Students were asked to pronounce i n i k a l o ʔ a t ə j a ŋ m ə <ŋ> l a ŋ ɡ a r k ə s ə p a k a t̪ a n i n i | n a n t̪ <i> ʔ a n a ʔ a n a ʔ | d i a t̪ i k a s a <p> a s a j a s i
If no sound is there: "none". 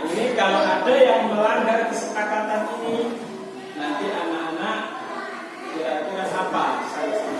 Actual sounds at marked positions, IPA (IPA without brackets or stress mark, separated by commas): none, i, p